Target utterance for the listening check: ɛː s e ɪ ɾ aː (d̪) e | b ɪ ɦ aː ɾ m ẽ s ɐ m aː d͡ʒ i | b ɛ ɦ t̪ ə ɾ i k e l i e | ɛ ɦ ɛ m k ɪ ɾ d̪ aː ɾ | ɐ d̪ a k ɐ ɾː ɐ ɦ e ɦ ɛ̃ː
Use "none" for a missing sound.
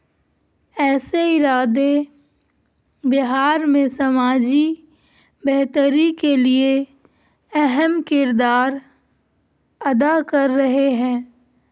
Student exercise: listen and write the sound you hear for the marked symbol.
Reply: d̪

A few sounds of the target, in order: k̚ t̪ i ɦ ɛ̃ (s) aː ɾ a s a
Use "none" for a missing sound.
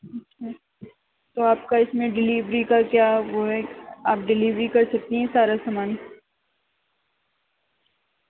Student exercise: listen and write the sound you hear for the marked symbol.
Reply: s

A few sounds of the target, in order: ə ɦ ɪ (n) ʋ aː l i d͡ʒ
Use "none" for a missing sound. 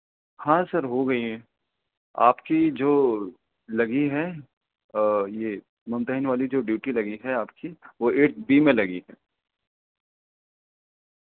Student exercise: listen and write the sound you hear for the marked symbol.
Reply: n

